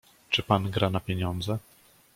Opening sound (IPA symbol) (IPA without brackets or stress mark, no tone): t͡ʂ